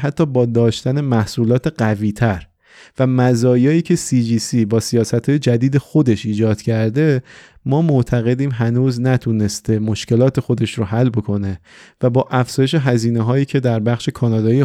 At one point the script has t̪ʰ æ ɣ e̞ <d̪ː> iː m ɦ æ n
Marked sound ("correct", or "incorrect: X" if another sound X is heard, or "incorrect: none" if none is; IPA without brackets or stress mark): incorrect: d̪